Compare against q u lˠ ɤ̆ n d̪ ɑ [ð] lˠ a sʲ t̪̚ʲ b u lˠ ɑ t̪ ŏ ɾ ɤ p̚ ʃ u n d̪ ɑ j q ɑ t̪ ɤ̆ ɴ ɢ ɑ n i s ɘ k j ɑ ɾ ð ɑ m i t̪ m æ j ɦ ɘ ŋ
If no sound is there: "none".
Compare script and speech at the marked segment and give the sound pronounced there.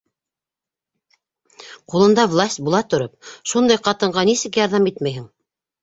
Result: v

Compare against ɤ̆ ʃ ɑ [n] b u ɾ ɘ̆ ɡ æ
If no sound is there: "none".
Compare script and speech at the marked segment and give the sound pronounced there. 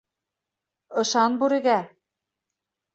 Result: n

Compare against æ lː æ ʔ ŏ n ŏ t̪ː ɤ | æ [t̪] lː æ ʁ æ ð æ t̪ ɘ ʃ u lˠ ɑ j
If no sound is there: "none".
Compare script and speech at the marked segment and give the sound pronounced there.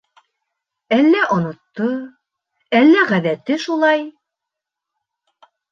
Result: none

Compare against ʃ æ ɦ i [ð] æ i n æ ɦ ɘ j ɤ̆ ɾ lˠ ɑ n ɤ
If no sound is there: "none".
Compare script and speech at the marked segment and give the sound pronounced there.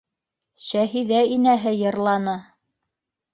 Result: ð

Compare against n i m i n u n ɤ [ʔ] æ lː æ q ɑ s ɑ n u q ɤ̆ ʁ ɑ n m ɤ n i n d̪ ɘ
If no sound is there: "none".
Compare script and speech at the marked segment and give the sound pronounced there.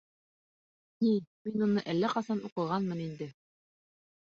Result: ʔ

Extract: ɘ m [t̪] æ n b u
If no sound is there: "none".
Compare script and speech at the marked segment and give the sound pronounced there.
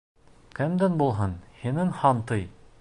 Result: d̪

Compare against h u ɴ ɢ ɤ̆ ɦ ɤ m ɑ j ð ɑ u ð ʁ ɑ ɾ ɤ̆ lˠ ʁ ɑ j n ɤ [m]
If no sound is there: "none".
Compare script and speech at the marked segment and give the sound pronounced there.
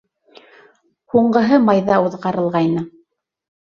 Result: none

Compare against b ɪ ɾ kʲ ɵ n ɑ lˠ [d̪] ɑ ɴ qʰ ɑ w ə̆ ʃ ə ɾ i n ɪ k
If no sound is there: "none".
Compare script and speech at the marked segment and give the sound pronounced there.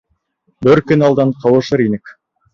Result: d̪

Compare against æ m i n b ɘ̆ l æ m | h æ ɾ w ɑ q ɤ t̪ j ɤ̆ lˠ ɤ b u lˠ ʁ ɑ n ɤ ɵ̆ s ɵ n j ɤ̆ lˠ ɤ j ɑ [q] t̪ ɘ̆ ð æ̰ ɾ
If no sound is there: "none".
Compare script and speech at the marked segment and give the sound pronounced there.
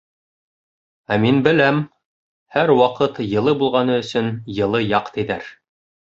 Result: q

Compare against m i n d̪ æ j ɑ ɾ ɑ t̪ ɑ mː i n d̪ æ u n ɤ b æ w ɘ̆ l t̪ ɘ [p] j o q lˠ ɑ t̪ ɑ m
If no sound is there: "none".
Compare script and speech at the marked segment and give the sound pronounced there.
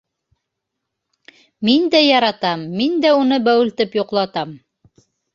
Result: p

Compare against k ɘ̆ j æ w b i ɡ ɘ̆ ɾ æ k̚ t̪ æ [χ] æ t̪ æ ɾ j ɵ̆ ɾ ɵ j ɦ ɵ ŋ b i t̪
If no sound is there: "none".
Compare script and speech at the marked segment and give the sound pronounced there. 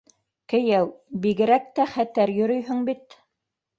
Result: χ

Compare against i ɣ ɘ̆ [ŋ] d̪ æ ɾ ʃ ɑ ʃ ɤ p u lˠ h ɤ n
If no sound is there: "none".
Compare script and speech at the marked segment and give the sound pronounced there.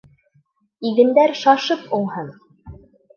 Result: n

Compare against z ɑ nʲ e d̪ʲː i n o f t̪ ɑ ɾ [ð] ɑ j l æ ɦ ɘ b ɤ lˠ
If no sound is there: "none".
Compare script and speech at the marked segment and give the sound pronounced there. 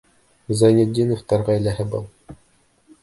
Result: ʁ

